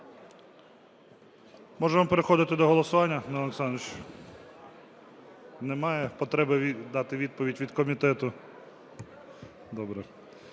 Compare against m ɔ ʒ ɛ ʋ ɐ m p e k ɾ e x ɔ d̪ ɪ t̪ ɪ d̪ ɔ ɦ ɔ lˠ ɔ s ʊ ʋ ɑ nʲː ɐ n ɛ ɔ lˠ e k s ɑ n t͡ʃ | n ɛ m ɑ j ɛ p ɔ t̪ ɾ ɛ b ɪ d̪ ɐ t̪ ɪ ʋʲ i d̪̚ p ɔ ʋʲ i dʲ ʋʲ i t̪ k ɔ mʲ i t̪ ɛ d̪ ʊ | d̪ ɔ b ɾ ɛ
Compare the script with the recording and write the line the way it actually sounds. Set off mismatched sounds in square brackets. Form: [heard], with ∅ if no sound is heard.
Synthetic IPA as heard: m ɔ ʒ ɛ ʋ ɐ m p e [∅] ɾ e x ɔ d̪ ɪ t̪ ɪ d̪ ɔ ɦ ɔ lˠ ɔ s ʊ ʋ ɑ nʲː ɐ n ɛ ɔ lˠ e k s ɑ n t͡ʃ | n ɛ m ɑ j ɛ p ɔ t̪ ɾ ɛ b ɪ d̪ [ɑ] t̪ ɪ ʋʲ i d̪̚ p ɔ ʋʲ i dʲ ʋʲ i [d̪] k ɔ mʲ i t̪ ɛ [t̪] ʊ | d̪ ɔ b ɾ ɛ